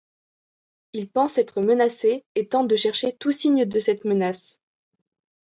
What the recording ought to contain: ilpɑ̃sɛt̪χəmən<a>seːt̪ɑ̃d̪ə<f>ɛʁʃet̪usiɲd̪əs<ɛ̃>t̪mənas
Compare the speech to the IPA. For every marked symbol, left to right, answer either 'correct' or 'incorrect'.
correct, incorrect: ʃ, incorrect: ɛ

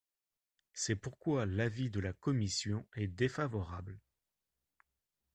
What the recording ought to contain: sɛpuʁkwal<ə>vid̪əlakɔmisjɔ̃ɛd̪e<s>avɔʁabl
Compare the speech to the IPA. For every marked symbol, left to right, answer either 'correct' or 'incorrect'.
incorrect: a, incorrect: f

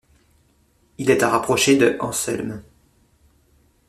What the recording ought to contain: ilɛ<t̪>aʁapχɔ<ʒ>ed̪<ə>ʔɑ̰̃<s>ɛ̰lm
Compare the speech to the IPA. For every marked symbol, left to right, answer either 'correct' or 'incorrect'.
correct, incorrect: ʃ, correct, correct

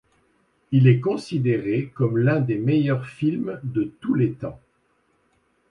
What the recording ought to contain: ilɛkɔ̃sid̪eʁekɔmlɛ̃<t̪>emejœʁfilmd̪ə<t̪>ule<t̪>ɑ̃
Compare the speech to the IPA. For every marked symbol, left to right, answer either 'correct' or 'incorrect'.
incorrect: d̪, correct, correct

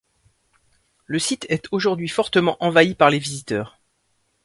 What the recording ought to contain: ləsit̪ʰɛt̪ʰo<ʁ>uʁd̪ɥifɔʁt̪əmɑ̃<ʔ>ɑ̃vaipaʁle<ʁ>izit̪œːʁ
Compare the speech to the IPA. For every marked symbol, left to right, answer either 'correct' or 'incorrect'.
incorrect: ʒ, correct, incorrect: v

